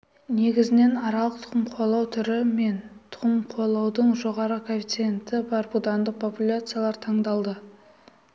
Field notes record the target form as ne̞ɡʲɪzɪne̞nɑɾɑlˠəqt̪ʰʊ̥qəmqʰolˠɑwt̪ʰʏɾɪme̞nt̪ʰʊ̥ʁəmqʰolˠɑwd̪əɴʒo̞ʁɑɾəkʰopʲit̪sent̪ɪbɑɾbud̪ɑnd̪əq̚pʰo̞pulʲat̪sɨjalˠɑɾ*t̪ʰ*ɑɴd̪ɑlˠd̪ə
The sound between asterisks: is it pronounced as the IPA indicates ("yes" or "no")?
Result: yes